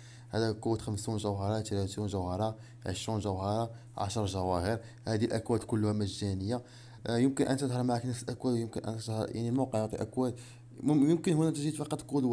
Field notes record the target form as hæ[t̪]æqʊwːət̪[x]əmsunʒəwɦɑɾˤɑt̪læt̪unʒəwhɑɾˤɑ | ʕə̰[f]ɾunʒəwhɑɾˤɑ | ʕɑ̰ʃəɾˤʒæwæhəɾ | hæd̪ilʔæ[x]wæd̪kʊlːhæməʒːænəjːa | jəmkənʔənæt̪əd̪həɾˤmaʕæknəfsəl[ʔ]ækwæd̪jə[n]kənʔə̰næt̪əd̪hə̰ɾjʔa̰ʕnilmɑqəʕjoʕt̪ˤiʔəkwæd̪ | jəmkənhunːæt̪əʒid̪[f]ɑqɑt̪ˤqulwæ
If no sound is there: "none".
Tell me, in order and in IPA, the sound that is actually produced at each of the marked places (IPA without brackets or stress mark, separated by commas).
d̪, x, ʃ, k, ʔ, m, f